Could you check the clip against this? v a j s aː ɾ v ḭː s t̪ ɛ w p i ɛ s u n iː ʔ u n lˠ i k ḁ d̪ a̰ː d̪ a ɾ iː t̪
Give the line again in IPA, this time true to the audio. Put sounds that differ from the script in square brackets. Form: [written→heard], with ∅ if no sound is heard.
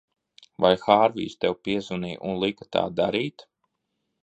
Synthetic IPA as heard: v a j [s→x] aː ɾ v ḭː s t̪ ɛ w p i ɛ [s→z] u n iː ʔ u n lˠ i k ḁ [d̪→t̪] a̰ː d̪ a ɾ iː t̪